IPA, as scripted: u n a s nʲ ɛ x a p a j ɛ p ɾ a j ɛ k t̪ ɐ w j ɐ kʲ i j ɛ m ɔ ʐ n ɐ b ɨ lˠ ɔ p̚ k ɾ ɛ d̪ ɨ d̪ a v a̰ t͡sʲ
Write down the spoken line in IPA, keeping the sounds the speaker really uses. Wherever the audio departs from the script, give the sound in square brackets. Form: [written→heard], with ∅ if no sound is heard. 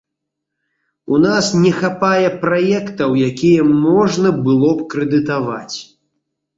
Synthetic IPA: u n a s nʲ ɛ x a p a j ɛ p ɾ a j ɛ k t̪ ɐ w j [ɐ→a] kʲ i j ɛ m ɔ ʐ n ɐ b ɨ lˠ ɔ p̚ k ɾ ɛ d̪ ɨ [d̪→t̪] a v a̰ t͡sʲ